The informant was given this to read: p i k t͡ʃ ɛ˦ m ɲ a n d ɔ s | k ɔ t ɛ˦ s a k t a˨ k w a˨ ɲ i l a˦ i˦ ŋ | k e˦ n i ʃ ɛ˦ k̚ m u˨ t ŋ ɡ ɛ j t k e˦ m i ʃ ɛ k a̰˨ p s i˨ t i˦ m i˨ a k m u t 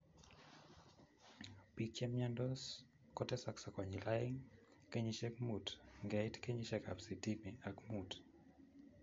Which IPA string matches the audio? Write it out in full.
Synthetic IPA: p i k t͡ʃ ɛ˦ m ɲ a n d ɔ s | k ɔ t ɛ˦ s a k s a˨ k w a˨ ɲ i l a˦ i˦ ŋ | k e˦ ɲ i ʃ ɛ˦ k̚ m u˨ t ŋ ɡ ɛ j t k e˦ ɲ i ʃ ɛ k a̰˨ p s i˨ t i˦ m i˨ a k m u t